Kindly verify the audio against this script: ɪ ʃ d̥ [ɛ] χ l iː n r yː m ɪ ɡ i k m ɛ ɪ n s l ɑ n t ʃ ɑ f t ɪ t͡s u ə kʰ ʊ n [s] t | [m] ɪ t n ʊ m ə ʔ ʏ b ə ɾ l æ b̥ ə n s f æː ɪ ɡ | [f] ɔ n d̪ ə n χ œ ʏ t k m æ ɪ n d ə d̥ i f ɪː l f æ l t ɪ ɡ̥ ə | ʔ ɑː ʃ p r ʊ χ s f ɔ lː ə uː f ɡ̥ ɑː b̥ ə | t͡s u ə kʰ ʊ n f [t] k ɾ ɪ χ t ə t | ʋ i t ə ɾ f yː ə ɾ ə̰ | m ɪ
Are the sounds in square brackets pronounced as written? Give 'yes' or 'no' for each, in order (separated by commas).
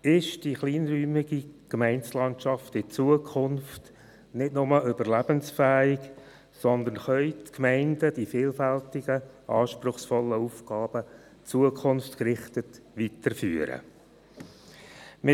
no, no, no, no, yes